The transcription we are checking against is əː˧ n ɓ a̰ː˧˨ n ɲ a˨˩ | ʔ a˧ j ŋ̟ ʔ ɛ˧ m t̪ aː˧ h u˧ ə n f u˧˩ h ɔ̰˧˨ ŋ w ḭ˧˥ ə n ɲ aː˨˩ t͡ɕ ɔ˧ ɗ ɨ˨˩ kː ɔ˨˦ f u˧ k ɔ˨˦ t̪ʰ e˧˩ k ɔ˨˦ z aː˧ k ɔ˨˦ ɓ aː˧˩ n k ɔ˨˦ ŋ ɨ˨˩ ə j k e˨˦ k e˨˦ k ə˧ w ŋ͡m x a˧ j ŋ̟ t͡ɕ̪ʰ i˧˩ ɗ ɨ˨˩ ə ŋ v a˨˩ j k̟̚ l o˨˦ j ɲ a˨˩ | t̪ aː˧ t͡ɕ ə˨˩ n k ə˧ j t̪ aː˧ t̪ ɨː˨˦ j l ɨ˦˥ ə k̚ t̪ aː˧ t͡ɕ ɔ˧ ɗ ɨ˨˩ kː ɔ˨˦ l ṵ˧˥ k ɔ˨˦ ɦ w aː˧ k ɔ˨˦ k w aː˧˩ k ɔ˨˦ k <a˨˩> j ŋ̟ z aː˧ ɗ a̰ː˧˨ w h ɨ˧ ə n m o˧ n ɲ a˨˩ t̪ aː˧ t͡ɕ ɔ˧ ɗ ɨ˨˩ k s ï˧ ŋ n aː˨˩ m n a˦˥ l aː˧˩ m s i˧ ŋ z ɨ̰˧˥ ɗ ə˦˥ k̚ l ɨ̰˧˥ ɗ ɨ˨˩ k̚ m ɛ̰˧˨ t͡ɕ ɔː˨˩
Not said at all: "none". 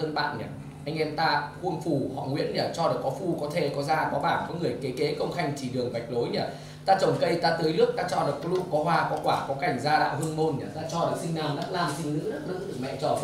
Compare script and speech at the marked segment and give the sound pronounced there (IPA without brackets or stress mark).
a˨˩